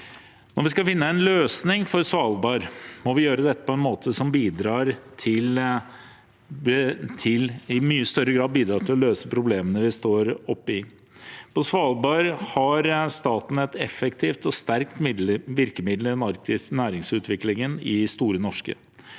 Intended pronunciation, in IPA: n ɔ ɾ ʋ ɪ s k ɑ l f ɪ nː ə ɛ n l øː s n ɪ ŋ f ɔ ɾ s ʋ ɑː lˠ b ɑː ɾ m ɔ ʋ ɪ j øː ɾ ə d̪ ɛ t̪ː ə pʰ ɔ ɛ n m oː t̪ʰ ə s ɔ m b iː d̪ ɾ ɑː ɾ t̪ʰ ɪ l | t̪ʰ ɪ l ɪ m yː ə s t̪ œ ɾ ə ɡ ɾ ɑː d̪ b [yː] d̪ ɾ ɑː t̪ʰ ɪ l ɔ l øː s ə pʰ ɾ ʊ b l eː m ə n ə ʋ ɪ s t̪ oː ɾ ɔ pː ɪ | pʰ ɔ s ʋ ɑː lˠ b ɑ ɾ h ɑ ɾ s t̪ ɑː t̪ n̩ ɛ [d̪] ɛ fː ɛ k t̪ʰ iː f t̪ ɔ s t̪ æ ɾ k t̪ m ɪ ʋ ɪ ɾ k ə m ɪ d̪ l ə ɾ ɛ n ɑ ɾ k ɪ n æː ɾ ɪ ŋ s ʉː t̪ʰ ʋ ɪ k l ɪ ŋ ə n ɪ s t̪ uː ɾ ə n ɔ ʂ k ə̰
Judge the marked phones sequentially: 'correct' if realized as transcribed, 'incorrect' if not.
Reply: incorrect: iː, incorrect: t̪

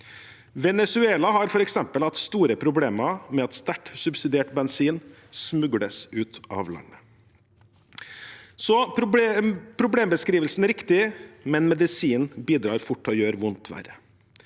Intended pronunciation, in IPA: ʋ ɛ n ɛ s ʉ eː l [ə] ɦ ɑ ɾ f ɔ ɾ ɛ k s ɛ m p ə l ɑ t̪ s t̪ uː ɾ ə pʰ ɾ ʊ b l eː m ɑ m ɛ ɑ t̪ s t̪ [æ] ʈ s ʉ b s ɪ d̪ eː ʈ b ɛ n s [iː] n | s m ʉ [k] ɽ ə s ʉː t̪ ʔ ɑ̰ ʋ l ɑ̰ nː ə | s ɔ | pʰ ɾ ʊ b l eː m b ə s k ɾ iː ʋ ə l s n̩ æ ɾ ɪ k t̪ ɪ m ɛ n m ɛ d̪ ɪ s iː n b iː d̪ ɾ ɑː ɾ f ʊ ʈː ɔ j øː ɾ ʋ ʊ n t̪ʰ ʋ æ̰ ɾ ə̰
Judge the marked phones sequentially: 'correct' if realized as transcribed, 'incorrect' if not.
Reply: incorrect: ɑ, correct, correct, incorrect: ɡ

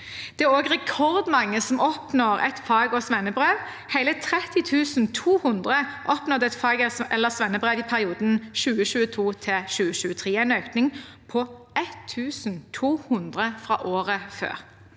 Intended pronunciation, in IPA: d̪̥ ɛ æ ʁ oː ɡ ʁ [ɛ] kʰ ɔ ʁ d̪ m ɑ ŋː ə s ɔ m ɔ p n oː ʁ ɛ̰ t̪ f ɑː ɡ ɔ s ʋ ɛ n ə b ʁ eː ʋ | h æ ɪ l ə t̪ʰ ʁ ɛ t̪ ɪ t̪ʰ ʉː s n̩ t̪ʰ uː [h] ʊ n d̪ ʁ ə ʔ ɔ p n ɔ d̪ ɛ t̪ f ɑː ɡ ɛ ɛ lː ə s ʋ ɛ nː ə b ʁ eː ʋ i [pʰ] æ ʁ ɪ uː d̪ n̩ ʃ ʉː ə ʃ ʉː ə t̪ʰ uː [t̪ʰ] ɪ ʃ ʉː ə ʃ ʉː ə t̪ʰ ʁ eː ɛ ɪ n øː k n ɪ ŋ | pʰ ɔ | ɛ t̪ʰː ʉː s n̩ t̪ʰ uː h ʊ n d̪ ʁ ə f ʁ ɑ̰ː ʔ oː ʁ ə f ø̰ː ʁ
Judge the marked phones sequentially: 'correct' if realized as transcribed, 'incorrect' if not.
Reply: correct, correct, correct, correct

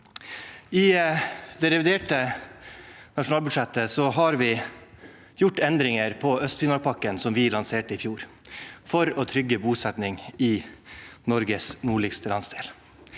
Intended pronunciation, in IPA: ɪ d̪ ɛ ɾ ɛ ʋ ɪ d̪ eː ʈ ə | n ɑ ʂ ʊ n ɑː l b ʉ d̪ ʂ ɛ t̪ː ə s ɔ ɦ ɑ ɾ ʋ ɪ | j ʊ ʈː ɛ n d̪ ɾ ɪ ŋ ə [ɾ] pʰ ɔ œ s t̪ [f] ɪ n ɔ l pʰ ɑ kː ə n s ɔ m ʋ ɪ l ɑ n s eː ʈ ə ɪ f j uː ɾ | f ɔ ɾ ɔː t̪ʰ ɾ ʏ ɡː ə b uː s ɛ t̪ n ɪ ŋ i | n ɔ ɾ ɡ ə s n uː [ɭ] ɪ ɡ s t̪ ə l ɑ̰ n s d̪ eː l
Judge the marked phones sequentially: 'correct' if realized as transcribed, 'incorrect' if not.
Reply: correct, correct, correct

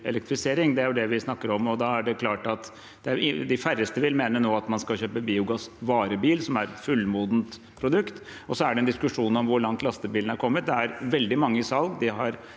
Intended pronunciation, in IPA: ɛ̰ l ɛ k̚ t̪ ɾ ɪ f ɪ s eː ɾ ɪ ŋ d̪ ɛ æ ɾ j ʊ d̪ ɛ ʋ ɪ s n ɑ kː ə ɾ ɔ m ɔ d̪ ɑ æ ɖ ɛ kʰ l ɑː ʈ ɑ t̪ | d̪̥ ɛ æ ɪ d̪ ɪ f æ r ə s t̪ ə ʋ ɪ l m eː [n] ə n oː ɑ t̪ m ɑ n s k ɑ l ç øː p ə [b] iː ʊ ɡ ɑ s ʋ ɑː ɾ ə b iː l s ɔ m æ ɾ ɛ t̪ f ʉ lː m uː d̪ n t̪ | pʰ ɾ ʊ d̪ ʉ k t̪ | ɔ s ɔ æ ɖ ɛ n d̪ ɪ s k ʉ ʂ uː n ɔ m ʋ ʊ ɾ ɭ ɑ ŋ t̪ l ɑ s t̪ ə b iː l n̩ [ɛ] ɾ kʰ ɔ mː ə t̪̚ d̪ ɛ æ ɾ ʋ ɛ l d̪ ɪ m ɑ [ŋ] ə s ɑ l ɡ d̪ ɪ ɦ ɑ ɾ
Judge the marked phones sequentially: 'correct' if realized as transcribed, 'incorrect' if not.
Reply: correct, correct, incorrect: æ, incorrect: ŋː

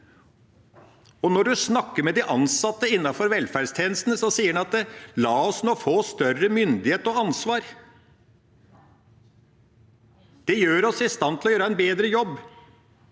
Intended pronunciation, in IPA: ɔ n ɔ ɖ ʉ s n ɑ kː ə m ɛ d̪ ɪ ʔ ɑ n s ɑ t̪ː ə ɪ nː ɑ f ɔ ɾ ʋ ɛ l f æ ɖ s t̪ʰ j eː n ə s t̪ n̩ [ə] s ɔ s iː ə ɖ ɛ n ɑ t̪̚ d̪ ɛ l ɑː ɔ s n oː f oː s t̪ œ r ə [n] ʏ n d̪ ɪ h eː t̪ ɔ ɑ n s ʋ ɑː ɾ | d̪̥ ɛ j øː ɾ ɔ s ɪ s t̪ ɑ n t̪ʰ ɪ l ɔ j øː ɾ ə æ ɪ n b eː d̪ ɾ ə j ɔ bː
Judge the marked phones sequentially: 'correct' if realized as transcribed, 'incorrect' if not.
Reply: correct, incorrect: m

